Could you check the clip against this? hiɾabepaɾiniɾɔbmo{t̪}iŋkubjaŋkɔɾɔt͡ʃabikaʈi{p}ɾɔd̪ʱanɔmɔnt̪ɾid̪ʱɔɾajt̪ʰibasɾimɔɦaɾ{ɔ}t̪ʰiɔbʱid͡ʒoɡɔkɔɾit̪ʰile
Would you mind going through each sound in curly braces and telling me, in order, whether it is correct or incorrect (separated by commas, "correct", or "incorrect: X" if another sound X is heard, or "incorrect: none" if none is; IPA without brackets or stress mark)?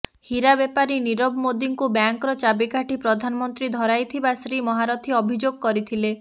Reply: incorrect: d̪, correct, correct